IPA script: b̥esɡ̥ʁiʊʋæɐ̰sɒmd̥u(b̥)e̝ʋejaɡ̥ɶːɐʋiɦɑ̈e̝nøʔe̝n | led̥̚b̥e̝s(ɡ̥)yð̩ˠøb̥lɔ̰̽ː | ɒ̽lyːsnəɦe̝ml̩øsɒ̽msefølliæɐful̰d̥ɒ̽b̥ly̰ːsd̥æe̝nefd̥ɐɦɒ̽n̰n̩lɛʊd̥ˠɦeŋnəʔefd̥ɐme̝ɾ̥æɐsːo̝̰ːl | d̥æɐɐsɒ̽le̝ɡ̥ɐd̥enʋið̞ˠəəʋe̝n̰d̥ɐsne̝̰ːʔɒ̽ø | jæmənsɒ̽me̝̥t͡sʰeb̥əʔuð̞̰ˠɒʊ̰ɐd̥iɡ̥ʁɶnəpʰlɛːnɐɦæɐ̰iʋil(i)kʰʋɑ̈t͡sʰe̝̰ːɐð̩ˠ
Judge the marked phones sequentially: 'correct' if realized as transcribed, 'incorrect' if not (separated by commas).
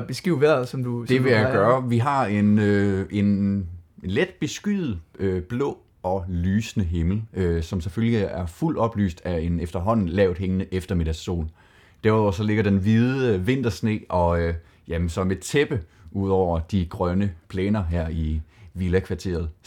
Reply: incorrect, correct, incorrect